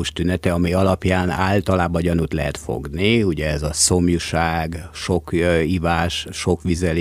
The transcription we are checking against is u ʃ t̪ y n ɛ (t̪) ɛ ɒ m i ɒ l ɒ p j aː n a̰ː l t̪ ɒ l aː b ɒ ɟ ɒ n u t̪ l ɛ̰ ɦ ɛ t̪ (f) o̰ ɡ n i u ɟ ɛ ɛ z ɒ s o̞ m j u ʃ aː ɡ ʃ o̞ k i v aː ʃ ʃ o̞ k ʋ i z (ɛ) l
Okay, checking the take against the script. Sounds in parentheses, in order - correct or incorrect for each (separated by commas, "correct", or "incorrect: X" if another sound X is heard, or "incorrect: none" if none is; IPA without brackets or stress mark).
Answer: correct, correct, correct